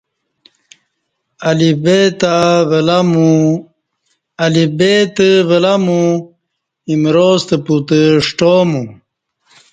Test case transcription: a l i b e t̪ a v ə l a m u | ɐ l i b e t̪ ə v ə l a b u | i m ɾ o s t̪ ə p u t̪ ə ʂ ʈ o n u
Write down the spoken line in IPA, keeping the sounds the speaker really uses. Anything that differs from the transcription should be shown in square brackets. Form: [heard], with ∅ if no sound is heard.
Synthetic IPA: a l i b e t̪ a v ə l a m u | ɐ l i b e t̪ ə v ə l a [m] u | i m ɾ o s t̪ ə p u t̪ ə ʂ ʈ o [m] u